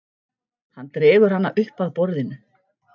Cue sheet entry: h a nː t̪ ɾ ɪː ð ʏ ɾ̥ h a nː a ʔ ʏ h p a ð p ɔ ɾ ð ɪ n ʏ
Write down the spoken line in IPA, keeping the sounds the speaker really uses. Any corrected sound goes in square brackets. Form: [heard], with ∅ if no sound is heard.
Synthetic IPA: h a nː t̪ ɾ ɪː [v] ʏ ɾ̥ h a nː a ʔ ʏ h p a ð p ɔ ɾ ð ɪ n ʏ